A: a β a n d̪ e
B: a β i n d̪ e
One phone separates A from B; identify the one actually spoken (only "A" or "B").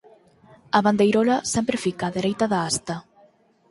A